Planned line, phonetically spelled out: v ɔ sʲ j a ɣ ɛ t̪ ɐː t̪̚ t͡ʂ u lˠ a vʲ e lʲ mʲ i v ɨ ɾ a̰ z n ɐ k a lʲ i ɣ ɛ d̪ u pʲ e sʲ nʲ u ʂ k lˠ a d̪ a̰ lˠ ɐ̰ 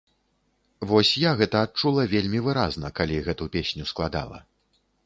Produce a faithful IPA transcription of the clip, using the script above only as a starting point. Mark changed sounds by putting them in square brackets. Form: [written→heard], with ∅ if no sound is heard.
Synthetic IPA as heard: v ɔ sʲ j a ɣ ɛ t̪ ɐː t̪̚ t͡ʂ u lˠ [a→ɐ] vʲ e lʲ mʲ i v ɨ ɾ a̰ z n ɐ k a lʲ i ɣ ɛ [d̪→t̪] u pʲ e sʲ nʲ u [ʂ→s] k lˠ a d̪ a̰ lˠ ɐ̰